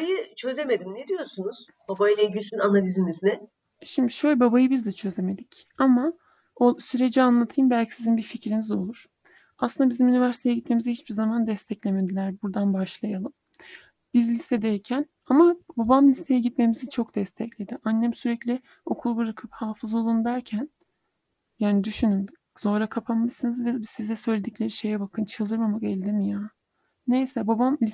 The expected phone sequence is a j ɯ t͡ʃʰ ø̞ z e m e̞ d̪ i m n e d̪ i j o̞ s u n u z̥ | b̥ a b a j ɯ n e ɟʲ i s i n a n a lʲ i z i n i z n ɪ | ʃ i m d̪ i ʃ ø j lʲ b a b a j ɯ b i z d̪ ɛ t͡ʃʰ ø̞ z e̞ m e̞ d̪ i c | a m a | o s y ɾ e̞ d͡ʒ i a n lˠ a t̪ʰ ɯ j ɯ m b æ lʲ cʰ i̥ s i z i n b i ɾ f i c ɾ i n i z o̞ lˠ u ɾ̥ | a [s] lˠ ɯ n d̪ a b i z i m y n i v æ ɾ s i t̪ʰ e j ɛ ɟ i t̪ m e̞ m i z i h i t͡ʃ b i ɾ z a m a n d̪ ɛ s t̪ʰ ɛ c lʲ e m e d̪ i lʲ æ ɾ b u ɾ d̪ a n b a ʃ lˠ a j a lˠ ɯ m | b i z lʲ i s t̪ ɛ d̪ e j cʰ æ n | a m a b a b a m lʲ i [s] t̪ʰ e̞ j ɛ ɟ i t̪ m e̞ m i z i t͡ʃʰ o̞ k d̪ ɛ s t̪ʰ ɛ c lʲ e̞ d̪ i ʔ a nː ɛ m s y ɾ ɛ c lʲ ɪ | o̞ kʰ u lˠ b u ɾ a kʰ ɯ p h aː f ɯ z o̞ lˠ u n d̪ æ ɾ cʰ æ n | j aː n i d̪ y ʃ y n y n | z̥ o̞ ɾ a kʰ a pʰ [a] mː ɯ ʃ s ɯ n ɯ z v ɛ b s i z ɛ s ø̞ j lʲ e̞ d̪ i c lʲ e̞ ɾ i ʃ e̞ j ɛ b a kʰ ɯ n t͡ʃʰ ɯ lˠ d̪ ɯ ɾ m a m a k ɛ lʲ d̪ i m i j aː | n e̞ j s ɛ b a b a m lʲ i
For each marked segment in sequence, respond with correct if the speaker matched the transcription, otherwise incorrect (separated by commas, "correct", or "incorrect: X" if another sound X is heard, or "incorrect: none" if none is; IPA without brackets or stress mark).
correct, correct, correct